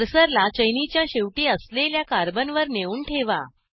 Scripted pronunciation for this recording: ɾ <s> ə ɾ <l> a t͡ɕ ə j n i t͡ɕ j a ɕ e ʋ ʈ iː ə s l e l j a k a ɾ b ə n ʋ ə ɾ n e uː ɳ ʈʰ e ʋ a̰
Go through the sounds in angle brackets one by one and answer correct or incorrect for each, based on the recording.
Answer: correct, correct

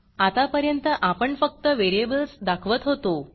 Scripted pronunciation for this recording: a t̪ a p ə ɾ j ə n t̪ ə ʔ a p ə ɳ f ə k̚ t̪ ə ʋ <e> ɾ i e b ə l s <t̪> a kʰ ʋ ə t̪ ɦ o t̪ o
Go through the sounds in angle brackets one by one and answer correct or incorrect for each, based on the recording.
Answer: correct, incorrect

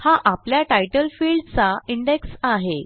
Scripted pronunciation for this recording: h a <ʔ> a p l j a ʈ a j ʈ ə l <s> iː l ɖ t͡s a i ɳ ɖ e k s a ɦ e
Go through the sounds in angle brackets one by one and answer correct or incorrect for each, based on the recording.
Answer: correct, incorrect

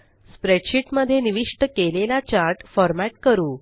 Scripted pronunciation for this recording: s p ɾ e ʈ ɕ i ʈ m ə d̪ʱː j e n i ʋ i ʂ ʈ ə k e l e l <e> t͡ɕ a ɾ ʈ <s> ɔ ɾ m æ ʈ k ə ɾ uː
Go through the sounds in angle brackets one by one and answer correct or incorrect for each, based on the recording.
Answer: incorrect, incorrect

